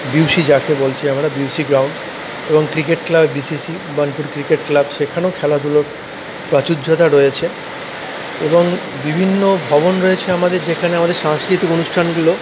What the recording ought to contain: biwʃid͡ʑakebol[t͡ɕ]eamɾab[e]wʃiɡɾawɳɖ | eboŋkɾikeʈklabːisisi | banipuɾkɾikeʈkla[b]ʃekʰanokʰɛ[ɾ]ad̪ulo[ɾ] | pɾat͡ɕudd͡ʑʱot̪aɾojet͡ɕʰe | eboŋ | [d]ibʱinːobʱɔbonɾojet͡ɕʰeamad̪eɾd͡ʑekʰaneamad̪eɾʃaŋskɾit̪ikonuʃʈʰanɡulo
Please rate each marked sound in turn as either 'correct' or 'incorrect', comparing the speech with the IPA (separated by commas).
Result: incorrect, incorrect, correct, incorrect, correct, incorrect